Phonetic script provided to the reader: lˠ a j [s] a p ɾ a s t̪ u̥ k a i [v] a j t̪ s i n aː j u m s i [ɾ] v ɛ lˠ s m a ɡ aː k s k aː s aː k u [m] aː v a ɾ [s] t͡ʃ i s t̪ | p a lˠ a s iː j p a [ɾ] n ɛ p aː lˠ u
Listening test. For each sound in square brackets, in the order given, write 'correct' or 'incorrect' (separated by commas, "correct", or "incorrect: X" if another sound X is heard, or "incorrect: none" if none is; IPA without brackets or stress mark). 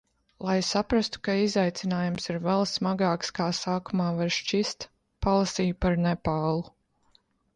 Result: correct, incorrect: z, correct, correct, incorrect: ʃ, correct